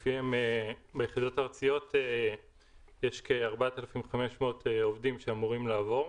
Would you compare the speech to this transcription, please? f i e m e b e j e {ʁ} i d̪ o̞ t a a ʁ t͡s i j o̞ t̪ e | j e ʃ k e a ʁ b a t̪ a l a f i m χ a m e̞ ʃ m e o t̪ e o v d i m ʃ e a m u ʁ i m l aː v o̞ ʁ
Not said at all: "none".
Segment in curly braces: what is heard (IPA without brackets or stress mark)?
χ